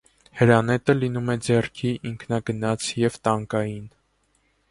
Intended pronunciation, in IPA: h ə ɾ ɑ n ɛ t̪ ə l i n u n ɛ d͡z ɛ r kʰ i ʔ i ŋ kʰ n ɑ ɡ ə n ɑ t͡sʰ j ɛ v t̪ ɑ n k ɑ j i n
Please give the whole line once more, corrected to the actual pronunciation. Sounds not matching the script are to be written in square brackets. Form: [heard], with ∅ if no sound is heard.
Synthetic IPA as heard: h ə ɾ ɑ n ɛ t̪ ə l i n u [m] ɛ d͡z ɛ r kʰ i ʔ i ŋ kʰ n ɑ ɡ ə n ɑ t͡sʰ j ɛ v t̪ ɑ [ŋ] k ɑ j i n